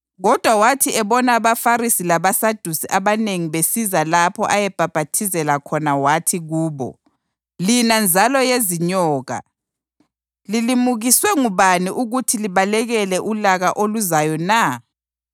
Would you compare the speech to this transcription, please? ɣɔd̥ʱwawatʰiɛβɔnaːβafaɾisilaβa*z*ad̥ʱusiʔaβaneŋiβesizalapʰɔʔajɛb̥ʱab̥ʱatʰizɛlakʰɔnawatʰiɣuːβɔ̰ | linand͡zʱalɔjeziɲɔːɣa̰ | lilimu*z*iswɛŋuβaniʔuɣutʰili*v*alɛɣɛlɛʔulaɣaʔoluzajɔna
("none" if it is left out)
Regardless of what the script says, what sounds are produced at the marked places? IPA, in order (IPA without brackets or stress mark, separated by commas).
s, ɣ, β